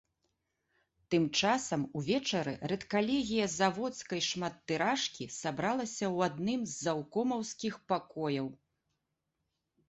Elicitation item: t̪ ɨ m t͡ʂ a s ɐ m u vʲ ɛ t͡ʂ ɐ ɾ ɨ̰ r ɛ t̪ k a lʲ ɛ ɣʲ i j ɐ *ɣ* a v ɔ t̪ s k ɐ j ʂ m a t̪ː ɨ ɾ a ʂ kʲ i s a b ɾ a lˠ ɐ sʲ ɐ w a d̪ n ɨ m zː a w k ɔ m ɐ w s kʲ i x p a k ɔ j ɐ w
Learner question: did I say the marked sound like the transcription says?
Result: no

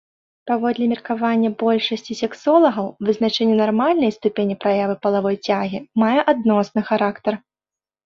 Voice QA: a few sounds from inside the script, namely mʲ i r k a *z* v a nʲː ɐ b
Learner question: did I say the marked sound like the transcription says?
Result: no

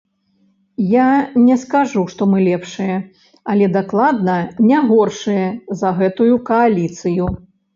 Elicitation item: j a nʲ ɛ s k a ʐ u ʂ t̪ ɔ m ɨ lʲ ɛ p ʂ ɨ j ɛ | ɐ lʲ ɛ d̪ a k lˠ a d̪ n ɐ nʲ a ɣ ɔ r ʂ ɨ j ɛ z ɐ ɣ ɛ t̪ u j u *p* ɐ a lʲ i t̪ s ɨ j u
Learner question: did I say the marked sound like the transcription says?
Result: no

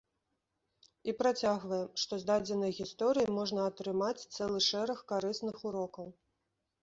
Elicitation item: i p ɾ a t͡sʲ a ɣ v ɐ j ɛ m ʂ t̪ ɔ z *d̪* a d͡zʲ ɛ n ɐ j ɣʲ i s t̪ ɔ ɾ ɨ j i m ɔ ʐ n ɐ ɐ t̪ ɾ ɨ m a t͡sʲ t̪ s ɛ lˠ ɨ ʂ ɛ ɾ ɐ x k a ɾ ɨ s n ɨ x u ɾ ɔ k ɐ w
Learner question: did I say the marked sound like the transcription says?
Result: yes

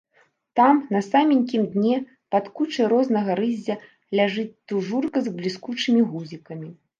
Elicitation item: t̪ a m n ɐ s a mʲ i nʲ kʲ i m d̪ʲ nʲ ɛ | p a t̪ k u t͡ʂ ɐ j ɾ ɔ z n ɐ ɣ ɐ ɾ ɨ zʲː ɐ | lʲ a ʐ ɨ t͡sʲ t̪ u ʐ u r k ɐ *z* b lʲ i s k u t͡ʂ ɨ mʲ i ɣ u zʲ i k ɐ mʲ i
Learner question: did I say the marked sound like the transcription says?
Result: yes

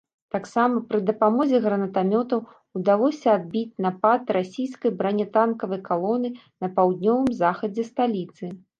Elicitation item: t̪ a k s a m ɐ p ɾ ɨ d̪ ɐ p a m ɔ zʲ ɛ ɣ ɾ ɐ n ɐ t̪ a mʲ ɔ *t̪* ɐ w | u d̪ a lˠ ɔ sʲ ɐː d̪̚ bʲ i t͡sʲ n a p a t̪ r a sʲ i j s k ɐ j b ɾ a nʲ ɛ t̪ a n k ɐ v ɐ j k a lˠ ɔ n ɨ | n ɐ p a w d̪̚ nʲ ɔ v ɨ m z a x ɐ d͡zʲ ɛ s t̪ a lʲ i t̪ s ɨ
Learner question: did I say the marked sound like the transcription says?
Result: yes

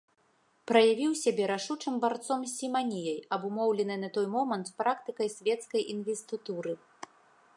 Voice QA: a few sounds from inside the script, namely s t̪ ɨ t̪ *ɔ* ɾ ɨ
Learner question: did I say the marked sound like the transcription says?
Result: no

